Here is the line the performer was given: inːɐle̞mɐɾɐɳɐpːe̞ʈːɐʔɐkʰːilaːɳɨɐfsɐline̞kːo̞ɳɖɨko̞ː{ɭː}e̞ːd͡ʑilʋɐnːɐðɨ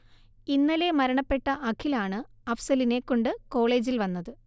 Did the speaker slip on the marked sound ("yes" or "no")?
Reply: yes